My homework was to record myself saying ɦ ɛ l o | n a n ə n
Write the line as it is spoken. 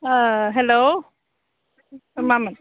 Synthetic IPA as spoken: ɦ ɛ l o | m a m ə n